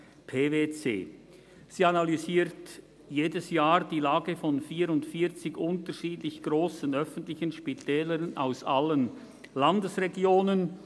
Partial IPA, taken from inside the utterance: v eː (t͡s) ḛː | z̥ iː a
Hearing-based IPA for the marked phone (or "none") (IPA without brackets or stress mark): t͡s